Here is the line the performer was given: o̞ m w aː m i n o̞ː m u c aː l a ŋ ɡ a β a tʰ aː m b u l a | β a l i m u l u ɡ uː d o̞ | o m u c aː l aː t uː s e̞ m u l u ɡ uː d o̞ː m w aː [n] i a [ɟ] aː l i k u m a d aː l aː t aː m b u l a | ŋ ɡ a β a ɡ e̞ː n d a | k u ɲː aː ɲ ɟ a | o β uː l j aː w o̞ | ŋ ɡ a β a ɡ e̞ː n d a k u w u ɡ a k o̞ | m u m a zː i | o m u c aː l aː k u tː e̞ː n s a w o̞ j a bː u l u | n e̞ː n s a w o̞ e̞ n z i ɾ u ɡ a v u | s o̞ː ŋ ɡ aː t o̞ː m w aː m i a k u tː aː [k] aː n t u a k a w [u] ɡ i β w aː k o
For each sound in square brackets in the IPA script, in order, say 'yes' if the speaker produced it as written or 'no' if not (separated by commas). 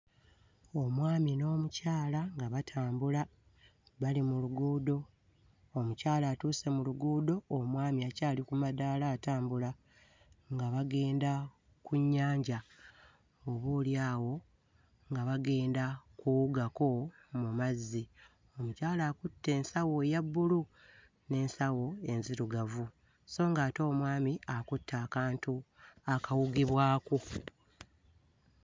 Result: no, no, yes, yes